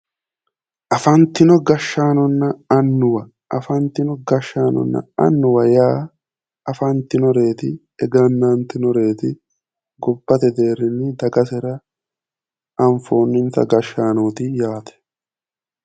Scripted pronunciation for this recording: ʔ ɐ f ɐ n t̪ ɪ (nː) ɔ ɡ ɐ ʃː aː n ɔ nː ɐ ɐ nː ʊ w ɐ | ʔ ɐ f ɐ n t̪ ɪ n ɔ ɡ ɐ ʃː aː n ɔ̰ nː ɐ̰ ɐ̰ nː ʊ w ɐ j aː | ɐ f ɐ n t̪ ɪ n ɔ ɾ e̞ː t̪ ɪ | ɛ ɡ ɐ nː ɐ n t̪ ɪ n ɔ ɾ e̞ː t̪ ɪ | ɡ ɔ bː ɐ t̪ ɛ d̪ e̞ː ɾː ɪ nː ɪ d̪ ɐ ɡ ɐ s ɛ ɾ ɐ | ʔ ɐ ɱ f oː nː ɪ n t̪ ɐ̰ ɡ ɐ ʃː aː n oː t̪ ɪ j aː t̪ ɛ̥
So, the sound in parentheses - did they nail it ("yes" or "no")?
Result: no